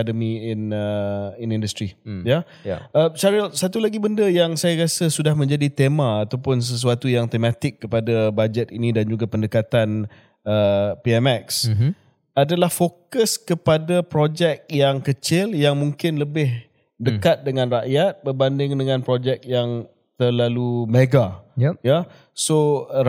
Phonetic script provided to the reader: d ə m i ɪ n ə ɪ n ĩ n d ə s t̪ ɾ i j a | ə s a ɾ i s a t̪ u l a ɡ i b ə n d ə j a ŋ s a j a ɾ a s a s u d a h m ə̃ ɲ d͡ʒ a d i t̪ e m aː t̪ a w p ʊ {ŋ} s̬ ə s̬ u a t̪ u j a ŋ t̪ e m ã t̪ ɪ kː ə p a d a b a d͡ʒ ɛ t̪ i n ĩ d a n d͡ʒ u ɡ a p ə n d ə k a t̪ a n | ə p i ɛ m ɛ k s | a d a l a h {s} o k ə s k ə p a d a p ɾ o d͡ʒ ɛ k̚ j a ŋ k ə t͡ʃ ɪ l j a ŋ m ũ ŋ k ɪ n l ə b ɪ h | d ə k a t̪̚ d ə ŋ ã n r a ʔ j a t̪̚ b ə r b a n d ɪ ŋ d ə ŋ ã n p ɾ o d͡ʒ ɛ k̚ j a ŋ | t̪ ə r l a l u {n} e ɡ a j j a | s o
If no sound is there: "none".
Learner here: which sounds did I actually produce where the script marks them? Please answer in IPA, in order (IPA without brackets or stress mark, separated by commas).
n, f, m